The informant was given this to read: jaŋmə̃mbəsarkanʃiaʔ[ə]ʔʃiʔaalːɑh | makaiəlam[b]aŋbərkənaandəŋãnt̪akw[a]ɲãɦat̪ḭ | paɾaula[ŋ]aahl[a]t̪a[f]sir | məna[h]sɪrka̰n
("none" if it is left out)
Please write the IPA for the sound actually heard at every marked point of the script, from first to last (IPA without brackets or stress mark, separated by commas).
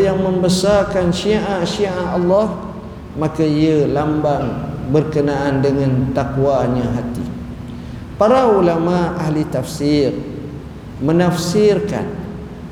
a, b, a, m, i, f, f